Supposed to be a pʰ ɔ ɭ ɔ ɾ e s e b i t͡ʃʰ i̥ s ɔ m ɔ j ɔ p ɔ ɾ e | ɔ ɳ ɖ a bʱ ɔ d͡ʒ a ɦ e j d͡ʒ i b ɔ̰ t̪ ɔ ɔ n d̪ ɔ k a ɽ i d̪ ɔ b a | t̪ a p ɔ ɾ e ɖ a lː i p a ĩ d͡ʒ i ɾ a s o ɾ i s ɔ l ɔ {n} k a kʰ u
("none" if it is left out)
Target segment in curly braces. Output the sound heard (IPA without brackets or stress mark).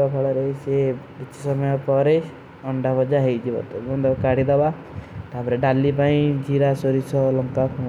ŋ